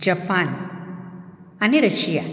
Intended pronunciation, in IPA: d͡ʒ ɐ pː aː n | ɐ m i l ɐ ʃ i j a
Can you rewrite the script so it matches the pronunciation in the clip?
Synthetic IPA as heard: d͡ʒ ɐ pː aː n | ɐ n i ɾ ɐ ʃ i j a